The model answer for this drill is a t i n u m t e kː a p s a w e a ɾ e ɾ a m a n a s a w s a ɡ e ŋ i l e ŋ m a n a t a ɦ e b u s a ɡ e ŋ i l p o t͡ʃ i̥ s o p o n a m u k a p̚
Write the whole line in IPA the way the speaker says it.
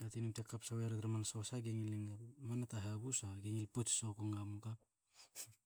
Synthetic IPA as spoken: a t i n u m t e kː a p s a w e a ɾ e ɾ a m a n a s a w s a ɡ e ŋ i l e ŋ m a n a t a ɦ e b u s a ɡ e ŋ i l p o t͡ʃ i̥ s o k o ŋ a m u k a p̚

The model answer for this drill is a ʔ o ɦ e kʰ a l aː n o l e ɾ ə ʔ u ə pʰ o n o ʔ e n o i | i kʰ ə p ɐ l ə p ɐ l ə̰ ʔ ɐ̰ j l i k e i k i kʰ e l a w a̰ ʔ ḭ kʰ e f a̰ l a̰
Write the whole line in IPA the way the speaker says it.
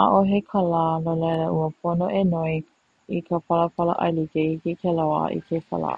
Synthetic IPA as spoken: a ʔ o ɦ e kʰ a l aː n o l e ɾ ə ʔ u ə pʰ o n o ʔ e n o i | i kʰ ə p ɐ l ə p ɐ l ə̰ ʔ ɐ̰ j l i k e i k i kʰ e l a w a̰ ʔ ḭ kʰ e f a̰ l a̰

